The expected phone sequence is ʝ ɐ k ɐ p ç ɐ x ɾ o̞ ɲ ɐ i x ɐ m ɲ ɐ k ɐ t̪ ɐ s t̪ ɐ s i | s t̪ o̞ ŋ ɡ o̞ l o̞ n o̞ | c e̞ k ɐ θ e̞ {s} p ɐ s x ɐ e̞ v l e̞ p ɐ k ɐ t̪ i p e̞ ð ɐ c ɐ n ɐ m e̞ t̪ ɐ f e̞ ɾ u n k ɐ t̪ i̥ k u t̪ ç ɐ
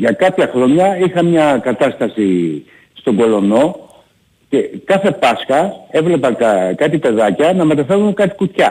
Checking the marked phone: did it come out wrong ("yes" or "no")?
yes